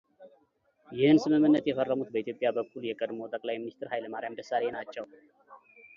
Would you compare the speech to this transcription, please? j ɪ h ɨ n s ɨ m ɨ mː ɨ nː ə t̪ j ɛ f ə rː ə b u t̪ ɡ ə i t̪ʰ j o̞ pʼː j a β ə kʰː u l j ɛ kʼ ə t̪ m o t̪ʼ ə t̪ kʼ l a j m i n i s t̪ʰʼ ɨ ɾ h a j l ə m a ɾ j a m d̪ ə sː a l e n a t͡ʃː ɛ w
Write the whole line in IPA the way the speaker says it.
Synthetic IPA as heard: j ɪ h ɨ n s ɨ m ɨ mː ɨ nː ə t̪ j ɛ f ə rː ə m u t̪ b ə i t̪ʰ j o̞ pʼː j a b ə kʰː u l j ɛ kʼ ə d̪ m o t̪ʼ ə kʼ l a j m i n i s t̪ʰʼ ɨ ɾ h a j l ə m a ɾ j a m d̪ ə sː a l e n a t͡ʃː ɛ w